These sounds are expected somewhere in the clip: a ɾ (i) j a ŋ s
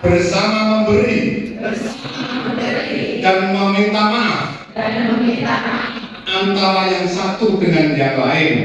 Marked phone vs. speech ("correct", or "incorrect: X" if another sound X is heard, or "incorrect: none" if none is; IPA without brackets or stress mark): incorrect: a